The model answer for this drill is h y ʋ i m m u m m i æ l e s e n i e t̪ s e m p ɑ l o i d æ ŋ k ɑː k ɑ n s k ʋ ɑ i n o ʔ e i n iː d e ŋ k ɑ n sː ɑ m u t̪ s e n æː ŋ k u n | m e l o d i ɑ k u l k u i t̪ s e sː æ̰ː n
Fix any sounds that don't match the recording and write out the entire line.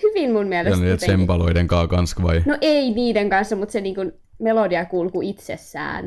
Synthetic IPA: h y ʋ i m m u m m i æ l e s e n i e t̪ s e m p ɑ l o i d e ŋ k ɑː k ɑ n s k ʋ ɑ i n o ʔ e i n iː d e ŋ k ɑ n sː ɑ m u t̪ s e n iː ŋ k u n | m e l o d i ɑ k u l k u i t̪ s e sː æ̰ː n